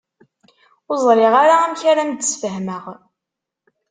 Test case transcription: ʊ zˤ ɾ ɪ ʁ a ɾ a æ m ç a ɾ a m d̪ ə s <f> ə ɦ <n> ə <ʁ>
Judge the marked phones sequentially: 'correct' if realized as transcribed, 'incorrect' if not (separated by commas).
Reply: correct, incorrect, correct